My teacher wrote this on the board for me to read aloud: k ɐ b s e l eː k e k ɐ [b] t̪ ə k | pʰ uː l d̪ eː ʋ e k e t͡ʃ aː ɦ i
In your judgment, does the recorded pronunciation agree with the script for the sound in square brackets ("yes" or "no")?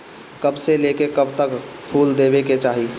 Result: yes